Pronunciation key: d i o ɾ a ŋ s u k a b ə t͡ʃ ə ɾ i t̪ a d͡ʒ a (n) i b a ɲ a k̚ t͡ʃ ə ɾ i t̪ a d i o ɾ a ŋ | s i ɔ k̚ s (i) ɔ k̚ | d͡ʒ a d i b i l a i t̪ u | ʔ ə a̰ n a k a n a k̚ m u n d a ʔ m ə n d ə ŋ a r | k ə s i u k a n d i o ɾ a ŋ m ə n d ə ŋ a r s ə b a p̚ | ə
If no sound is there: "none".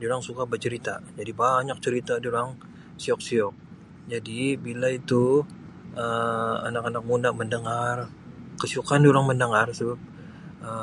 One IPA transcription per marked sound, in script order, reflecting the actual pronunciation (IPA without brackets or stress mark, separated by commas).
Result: d, i